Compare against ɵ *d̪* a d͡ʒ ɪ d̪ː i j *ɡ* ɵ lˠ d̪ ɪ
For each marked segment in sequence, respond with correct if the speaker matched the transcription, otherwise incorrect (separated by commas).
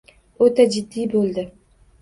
incorrect, incorrect